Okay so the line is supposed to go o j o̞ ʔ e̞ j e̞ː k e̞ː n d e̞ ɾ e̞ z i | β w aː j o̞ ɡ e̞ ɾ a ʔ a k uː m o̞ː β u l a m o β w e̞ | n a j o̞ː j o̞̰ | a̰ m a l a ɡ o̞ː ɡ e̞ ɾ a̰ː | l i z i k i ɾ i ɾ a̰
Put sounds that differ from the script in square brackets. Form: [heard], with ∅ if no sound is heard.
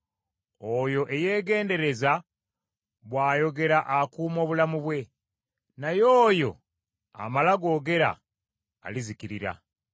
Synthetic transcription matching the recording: o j o̞ ʔ e̞ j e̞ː [ɡ] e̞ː n d e̞ ɾ e̞ z [a] | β w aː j o̞ ɡ e̞ ɾ a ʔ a k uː m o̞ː β u l a m [u] β w e̞ | n a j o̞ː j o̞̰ | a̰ m a l a ɡ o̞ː ɡ e̞ ɾ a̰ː | l i z i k i ɾ i ɾ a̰

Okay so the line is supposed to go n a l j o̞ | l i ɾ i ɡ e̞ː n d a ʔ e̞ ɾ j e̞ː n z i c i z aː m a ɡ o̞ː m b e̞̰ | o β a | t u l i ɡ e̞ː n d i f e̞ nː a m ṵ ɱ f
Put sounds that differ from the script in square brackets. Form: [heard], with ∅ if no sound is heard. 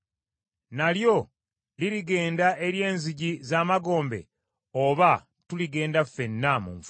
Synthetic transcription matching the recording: n a l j o̞ | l i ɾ i ɡ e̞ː n d a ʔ e̞ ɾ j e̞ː n z i [ɟ] i z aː m a ɡ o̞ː m b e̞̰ | o β a | t u l i ɡ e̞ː n d [a] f e̞ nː a m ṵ ɱ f

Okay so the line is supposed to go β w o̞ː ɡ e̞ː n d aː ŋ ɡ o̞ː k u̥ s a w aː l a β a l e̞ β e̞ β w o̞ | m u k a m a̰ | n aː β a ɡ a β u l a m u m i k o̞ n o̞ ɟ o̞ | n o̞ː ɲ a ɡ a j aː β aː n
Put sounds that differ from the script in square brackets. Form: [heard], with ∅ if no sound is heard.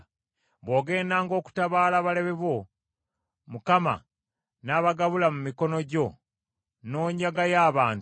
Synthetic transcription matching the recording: β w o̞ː ɡ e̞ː n d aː ŋ ɡ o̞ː k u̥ [t] a [β] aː l a β a l e̞ β e̞ β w o̞ | m u k a m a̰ | n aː β a ɡ a β u l a m u m i k o̞ n o̞ ɟ o̞ | n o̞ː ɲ a ɡ a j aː β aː n

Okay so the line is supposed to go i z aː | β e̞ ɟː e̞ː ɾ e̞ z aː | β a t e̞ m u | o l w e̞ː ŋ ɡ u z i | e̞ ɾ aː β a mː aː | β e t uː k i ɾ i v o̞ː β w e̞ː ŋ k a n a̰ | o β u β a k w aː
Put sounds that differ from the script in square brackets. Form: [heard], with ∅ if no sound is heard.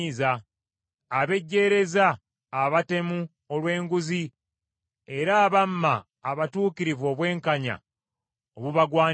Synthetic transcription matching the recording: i z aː | β e̞ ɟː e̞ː ɾ e̞ z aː | β a t e̞ m u | o l w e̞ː ŋ ɡ u z i | e̞ ɾ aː β a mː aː | β [a] t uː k i ɾ i v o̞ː β w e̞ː ŋ k a [ɲ] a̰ | o β u β a [ɡ] w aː

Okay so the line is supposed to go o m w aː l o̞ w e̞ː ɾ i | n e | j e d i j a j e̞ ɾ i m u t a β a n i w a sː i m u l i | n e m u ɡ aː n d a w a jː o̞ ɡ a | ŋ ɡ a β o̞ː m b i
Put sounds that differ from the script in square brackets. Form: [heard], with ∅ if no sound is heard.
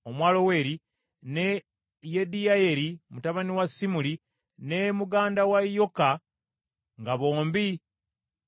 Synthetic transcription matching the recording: o m w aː l o̞ w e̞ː ɾ i | n e | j e d i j a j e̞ ɾ i m u t a β a n i w a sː i m u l i | n e m u ɡ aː n d a w a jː o̞ [k] a | ŋ ɡ a β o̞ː m b i

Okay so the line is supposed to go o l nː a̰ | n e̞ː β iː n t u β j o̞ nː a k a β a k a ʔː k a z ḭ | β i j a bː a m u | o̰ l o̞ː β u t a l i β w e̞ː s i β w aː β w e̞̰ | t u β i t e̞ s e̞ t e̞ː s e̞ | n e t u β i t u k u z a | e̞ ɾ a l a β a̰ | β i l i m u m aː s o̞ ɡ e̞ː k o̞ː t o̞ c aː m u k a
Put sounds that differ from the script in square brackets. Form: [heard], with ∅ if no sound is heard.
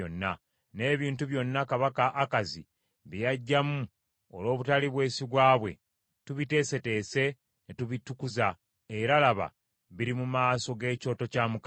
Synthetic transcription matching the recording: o [∅] nː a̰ | n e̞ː β iː n t u β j o̞ nː a k a β a k a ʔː k a z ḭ | β i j a [ɟː] a m u | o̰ l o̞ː β u t a l i β w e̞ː s i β w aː β w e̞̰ | t u β i t e̞ s e̞ t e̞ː s e̞ | n e t u β i t u k u z a | e̞ ɾ a l a β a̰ | β i [ɾ] i m u m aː s o̞ ɡ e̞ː [c] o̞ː t o̞ c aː m u k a

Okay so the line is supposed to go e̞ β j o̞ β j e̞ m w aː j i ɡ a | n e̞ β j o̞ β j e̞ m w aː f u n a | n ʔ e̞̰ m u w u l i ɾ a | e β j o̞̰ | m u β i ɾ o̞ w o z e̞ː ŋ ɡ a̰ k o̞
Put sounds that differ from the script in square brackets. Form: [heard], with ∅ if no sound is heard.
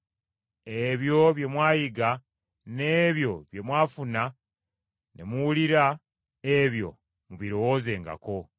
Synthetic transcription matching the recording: e̞ β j o̞ β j e̞ m w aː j i ɡ a | n e̞ β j o̞ β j e̞ m w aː f u n a | n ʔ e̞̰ m u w u l i ɾ a | e β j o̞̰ | m u β i ɾ o̞ w o z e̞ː ŋ ɡ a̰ k o̞

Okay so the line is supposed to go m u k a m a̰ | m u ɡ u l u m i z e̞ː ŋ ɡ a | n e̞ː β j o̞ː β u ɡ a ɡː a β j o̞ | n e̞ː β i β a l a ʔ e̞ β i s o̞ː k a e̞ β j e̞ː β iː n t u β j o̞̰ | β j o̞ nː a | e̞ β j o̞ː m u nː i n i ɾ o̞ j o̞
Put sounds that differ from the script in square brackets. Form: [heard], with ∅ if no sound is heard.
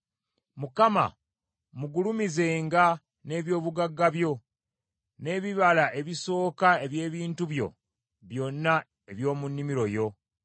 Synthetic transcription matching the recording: m u k a m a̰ | m u ɡ u l u m i z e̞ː ŋ ɡ a | n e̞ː β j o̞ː β u ɡ a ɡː a β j o̞ | n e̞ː β i β a l a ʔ e̞ β i s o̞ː k a e̞ β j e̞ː β iː n t u β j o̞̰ | β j o̞ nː a | e̞ β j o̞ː m u nː i [m] i ɾ o̞ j o̞

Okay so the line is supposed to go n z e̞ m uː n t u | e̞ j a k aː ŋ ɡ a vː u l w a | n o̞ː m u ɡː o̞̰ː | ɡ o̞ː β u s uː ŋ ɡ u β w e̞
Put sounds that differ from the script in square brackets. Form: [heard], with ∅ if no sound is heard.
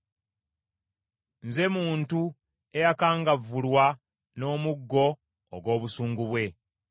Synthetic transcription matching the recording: n z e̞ m uː n t u | e̞ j a k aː ŋ ɡ a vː u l w a | n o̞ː m u ɡː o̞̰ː | ɡ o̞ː β u s uː ŋ ɡ u β w e̞

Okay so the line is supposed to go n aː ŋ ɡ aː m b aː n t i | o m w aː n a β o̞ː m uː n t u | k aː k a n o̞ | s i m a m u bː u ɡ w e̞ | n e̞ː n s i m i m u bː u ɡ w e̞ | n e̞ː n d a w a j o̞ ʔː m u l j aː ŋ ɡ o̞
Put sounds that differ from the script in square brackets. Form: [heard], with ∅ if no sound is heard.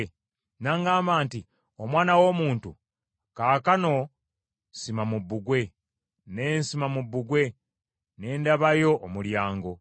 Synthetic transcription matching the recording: n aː ŋ ɡ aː m b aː n t i | o m w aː n a [w] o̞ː m uː n t u | k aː k a n o̞ | s i m a m u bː u ɡ w e̞ | n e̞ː n s i m [a] m u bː u ɡ w e̞ | n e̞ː n d a [β] a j o̞ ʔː m u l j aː ŋ ɡ o̞

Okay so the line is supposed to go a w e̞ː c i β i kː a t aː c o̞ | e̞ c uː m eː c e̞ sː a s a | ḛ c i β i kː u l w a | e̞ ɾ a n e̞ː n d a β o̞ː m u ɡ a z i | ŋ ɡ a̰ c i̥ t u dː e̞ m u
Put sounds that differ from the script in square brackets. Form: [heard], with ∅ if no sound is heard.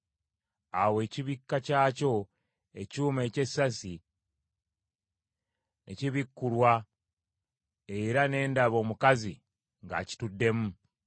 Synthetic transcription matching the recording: a w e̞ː c i β i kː a [c] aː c o̞ | e̞ c uː m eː c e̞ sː a s [i] | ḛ c i β i kː u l w a | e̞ ɾ a n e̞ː n d a β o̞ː m u [k] a z i | ŋ ɡ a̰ c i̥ t u dː e̞ m u

